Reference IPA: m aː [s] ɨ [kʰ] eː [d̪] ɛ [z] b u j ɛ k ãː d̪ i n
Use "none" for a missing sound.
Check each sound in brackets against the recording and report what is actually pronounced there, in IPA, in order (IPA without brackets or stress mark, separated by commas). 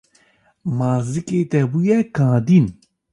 z, k, t̪, none